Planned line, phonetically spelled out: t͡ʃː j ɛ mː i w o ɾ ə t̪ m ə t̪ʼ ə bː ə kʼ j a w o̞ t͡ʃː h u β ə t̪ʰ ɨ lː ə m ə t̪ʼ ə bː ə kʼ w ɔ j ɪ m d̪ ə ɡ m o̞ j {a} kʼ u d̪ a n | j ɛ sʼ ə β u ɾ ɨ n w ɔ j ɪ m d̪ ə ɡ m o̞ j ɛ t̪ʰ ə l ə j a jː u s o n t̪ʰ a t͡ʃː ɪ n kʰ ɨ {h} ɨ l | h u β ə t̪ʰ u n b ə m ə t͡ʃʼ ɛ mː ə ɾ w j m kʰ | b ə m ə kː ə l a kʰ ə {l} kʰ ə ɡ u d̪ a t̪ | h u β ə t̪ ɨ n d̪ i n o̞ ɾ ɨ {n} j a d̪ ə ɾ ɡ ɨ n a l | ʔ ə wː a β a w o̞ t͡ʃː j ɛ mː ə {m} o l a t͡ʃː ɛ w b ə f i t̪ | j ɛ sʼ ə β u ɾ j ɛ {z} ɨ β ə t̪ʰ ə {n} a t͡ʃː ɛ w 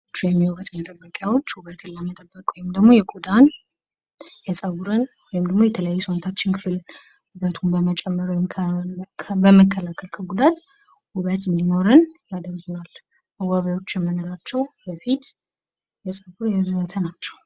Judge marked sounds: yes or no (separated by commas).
no, no, yes, yes, no, yes, yes